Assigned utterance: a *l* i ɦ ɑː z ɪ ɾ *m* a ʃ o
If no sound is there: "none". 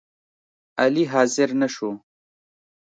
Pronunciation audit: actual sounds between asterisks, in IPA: l, n

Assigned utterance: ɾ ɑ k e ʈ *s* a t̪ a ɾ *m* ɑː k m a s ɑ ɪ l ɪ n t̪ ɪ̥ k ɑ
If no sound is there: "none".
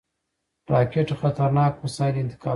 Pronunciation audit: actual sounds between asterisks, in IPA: x, n

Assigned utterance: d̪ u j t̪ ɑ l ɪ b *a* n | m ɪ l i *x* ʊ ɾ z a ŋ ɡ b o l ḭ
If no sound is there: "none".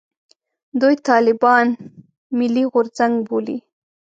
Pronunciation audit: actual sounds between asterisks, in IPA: ɑ, ɣ

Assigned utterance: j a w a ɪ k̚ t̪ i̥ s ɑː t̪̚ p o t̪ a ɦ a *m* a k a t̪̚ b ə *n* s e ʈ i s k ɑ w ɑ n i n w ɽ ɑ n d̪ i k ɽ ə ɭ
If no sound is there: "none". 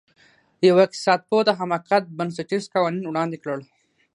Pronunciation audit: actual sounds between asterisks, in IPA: m, n

